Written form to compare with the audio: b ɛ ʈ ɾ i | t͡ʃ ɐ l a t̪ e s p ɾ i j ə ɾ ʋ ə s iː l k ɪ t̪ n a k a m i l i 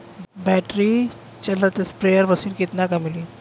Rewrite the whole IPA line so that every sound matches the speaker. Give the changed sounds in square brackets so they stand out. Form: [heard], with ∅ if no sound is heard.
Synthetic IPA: b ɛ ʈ ɾ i | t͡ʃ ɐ l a t̪ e s p ɾ [e] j ə ɾ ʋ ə s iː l k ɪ t̪ n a k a m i l i